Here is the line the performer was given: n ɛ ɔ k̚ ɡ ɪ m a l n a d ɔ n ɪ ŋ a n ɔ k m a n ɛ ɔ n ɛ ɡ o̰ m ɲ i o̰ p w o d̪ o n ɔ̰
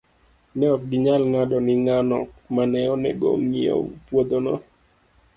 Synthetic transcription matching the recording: n ɛ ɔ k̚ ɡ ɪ ɲ a l ŋ a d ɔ n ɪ ŋ a n ɔ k m a n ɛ ɔ n ɛ ɡ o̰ m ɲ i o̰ p w o d̪ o n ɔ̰

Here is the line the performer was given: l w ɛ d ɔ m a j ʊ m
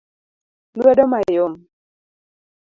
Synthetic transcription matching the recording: l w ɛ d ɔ m a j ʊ m

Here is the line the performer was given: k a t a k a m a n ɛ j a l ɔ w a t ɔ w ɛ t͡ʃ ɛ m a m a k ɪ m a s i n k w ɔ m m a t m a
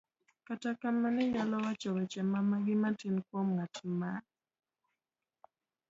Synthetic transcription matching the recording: k a t a k a m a n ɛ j a l ɔ w a t͡ʃ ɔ w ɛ t͡ʃ ɛ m a m a ɡ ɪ m a t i n k w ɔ m ŋ a t m a

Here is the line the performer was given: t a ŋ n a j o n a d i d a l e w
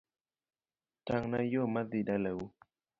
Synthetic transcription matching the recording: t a ŋ n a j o m a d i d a l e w

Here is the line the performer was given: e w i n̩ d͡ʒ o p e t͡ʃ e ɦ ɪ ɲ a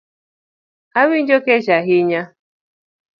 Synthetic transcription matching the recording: a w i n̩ d͡ʒ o k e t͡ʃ a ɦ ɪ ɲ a

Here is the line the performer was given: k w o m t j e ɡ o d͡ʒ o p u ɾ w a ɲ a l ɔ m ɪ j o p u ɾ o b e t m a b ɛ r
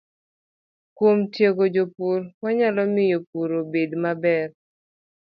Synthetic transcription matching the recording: k w o m t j e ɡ o d͡ʒ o p u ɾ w a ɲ a l ɔ m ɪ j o p u ɾ o b e d m a b ɛ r

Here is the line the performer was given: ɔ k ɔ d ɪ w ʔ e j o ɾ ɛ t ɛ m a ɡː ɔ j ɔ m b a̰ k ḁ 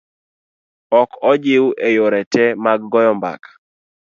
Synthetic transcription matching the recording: ɔ k ɔ d͡ʒ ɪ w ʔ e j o ɾ ɛ t ɛ m a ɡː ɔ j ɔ m b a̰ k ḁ

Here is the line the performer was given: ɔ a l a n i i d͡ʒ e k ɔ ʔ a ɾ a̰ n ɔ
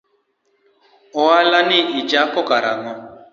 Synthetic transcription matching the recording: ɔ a l a n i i d͡ʒ a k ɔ k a ɾ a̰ ŋ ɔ

